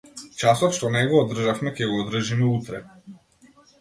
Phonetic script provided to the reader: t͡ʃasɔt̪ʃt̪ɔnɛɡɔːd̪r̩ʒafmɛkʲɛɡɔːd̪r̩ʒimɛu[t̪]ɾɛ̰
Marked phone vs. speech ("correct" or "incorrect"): correct